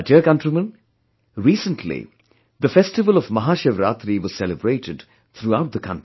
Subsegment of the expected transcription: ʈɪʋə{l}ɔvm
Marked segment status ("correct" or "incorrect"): correct